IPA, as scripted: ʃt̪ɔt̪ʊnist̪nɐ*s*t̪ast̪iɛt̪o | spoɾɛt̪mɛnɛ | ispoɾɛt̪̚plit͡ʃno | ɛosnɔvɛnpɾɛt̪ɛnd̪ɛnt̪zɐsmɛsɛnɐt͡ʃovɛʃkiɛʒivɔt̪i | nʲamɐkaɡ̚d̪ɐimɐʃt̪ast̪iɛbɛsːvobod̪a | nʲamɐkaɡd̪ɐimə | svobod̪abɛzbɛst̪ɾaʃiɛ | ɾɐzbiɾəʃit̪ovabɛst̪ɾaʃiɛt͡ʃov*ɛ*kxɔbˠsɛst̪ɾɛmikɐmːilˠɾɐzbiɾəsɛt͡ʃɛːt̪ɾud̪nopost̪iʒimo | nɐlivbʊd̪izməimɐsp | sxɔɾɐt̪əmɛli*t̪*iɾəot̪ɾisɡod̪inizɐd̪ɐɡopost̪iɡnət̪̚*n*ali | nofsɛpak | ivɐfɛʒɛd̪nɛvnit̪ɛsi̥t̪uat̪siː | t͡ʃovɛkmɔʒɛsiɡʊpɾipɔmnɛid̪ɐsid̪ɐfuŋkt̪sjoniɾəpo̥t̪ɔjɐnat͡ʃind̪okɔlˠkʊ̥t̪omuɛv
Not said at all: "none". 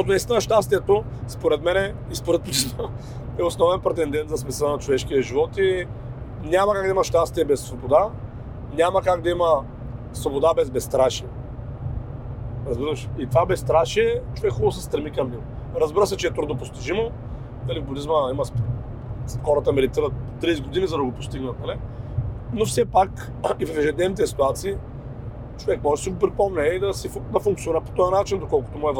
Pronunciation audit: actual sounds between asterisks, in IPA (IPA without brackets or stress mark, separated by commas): ʃ, ɛ, t̪, n